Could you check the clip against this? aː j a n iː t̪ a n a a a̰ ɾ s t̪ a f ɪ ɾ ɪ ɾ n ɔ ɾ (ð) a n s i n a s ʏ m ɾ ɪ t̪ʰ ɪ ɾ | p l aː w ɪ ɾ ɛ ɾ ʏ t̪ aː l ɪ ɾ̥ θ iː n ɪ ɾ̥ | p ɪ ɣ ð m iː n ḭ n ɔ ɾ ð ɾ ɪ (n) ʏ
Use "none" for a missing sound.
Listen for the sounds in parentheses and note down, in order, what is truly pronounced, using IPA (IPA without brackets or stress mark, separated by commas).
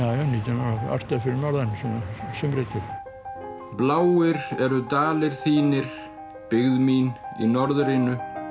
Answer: ð, n